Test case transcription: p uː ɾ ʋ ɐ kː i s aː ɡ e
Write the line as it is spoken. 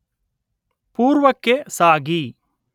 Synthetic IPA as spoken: p uː ɾ ʋ ɐ kː e s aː ɡ i